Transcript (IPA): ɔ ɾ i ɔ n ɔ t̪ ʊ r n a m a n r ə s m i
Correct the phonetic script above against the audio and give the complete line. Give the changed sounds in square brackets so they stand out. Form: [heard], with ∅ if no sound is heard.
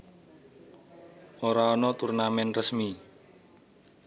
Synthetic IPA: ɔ ɾ [a] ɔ n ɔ t̪ [u] r n a m [ɛ] n r ə s m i